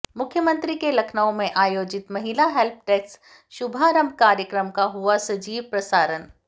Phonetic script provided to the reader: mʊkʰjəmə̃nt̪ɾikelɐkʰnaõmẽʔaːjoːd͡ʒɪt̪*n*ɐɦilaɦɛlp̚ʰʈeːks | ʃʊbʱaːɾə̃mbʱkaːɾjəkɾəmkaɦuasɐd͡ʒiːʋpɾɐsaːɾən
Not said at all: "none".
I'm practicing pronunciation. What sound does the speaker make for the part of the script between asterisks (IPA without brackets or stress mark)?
m